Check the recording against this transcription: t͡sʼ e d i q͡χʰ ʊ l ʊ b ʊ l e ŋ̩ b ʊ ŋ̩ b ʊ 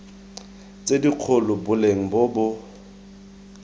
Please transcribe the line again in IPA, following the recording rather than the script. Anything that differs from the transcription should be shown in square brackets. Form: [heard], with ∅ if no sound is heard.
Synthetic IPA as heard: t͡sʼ e d i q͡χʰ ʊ l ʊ b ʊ l e ŋ̩ b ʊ [∅] b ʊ